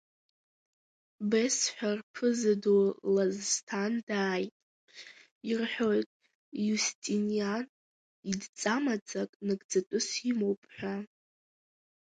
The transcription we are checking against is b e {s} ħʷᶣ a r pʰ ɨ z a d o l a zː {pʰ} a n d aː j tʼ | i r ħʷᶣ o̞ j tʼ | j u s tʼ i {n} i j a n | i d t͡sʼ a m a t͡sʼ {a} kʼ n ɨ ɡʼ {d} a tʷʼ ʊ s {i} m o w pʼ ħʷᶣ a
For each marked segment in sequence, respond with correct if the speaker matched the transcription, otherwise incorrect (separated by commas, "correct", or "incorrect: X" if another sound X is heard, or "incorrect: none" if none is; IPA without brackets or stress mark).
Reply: correct, incorrect: tʰ, correct, correct, incorrect: d͡z, correct